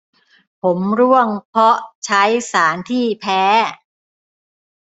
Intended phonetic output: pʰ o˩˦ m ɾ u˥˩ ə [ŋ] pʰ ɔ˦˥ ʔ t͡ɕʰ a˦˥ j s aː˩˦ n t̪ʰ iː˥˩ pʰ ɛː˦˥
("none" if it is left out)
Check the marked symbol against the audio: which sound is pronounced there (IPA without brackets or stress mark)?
ŋ